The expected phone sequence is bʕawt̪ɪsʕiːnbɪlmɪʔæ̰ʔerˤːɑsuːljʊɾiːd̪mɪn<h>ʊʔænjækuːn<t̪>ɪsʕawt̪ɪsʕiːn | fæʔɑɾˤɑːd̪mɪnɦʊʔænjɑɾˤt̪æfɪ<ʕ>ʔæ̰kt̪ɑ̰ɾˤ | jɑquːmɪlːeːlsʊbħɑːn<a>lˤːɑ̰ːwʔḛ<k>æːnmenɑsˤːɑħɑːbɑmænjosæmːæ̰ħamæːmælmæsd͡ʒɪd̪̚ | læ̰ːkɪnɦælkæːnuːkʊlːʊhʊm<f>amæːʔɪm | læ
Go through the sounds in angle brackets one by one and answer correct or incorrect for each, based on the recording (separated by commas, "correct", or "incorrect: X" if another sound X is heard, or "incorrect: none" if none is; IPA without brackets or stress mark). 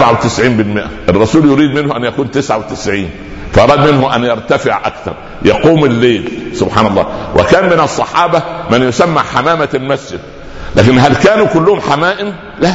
correct, correct, correct, incorrect: ɑ, correct, incorrect: ħ